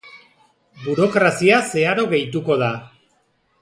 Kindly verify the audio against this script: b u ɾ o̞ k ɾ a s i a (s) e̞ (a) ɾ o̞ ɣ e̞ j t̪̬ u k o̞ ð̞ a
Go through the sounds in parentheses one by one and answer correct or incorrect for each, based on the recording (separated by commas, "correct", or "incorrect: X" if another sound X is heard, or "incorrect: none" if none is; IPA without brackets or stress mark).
correct, correct